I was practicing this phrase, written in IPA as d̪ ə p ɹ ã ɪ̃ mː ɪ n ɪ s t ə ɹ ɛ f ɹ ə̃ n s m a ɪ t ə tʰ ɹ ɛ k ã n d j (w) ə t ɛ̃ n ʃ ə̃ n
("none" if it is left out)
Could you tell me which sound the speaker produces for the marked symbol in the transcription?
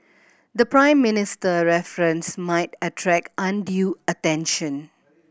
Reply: u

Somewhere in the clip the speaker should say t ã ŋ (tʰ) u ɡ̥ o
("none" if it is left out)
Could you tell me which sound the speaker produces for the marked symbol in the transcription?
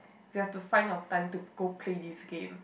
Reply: t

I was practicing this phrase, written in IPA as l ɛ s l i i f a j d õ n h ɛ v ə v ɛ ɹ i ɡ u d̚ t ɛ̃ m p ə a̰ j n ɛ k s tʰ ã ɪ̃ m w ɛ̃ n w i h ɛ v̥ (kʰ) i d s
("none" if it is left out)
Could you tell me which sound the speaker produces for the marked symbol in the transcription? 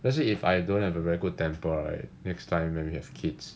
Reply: kʰ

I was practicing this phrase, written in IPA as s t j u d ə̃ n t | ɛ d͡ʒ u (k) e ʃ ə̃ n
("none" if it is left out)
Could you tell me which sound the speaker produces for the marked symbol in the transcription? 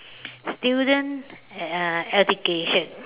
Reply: k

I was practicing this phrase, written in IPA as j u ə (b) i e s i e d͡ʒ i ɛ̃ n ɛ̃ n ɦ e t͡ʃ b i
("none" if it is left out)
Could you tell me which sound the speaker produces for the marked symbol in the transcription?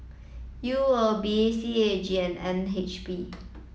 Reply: b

